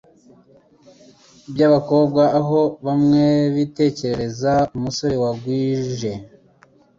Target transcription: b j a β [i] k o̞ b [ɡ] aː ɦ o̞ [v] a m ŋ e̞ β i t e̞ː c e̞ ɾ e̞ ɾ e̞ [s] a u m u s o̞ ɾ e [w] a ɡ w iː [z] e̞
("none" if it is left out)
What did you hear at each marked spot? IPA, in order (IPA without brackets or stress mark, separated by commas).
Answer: a, ɡ, β, z, w, ʒ